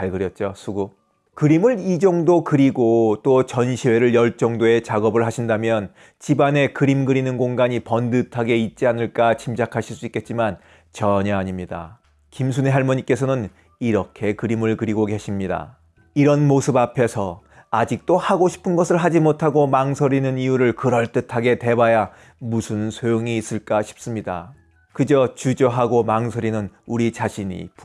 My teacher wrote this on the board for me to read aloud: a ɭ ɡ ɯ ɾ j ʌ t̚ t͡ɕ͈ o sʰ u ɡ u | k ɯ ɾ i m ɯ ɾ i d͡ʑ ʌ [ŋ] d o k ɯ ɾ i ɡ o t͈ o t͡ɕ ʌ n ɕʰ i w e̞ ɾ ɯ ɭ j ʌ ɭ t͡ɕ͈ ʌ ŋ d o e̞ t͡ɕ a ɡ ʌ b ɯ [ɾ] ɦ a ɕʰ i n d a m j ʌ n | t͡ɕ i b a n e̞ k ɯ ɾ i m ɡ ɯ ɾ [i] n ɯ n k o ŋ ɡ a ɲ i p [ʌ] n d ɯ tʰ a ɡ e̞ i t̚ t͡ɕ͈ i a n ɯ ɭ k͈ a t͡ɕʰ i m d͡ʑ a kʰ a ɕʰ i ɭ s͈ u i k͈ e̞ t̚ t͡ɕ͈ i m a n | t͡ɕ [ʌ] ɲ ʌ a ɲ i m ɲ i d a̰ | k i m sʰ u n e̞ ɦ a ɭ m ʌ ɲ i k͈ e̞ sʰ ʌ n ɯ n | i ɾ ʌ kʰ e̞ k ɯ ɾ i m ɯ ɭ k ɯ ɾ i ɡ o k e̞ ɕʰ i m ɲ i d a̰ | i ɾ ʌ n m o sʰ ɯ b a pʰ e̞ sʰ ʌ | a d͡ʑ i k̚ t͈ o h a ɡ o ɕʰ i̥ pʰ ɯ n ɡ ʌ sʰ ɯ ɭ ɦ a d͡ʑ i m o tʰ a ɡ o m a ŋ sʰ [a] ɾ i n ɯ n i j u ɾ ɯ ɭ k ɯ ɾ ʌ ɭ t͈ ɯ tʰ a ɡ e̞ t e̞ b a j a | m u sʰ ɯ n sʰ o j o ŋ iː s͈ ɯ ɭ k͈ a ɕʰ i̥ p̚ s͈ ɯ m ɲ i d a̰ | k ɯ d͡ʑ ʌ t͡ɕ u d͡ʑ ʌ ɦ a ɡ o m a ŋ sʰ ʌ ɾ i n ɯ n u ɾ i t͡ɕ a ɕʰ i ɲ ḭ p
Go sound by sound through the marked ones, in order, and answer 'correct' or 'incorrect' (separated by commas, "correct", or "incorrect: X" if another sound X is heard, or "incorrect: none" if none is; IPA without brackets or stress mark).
correct, incorrect: ɭ, correct, correct, correct, incorrect: ʌ